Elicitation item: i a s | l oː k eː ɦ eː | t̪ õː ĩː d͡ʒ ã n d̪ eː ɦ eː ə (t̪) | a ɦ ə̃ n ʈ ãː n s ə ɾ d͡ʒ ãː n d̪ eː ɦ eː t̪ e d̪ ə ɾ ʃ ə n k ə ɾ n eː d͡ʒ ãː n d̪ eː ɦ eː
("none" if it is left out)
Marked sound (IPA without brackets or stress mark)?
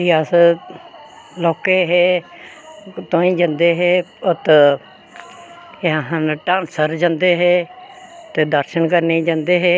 t̪